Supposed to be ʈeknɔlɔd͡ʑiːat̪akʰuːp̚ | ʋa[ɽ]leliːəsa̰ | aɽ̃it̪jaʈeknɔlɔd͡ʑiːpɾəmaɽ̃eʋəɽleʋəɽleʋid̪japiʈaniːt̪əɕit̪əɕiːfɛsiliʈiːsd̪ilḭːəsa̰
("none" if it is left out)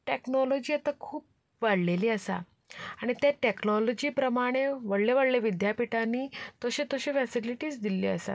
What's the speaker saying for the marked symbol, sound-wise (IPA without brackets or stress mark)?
ɽ